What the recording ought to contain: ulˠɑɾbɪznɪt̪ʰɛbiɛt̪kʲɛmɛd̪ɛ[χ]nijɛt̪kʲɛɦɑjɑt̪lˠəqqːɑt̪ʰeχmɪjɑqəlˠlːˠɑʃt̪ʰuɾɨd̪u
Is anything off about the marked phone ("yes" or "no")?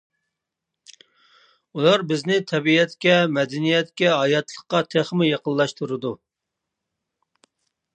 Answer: yes